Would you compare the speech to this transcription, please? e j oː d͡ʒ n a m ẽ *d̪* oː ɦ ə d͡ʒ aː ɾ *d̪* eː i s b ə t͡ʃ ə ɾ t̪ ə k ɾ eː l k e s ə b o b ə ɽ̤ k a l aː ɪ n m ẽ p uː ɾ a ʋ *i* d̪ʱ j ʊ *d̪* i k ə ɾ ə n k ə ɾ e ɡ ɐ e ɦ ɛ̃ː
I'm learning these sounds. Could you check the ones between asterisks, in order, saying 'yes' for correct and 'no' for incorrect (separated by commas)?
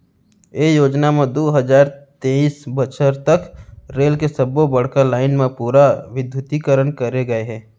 yes, no, no, no